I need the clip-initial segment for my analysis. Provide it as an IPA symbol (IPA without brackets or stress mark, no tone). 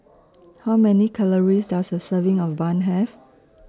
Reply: h